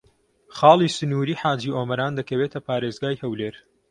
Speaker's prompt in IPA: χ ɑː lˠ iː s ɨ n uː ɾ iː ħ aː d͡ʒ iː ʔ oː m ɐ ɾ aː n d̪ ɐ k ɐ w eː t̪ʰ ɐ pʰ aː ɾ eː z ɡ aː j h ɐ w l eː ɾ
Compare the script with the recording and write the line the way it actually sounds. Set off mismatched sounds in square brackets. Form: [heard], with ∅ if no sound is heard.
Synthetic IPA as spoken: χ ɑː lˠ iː s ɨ n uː ɾ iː ħ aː d͡ʒ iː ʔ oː m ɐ ɾ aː n d̪ ɐ k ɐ w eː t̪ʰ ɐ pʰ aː ɾ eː z ɡ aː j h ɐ w l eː ɾ